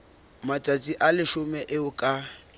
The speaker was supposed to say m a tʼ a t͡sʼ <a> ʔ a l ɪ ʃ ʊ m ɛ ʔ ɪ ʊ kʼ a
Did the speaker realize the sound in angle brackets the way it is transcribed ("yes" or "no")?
no